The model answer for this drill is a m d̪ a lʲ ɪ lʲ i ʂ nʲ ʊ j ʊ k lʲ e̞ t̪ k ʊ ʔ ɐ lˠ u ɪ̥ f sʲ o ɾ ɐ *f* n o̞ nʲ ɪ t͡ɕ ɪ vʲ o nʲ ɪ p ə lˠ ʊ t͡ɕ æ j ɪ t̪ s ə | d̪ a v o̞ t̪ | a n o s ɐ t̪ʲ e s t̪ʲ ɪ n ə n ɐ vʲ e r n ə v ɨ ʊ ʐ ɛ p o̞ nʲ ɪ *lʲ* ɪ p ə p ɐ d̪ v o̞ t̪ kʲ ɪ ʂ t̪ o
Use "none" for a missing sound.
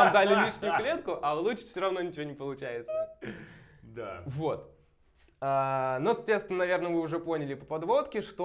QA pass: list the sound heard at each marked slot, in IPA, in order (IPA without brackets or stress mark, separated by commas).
v, lʲ